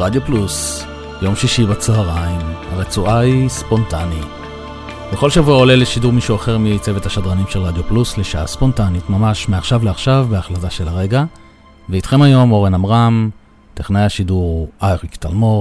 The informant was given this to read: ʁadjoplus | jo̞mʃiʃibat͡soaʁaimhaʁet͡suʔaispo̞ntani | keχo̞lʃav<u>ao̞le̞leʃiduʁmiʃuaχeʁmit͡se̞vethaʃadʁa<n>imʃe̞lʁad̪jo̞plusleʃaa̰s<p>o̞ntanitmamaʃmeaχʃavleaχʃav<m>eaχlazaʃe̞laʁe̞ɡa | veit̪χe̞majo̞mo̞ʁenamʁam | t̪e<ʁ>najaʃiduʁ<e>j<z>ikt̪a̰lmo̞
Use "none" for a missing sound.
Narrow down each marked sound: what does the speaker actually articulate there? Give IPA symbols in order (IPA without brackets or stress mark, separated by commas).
u, n, p, b, χ, a, ʁ